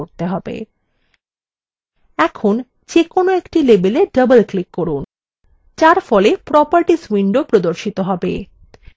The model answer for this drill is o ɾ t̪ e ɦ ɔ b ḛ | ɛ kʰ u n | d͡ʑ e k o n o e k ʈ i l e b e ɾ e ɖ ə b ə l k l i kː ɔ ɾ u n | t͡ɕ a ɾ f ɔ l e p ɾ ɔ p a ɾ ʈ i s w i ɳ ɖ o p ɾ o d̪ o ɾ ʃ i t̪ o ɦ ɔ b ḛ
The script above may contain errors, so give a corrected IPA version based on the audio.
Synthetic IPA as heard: o ɾ t̪ e ɦ ɔ b ḛ | ɛ kʰ o n | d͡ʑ e k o n o e k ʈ i l e b e l e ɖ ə b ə l k l i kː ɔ ɾ u n | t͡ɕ a ɾ f ɔ l e p ɾ ɔ p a ɾ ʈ i s w i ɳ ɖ o p ɾ o d̪ o ɾ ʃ i t̪ o ɦ ɔ b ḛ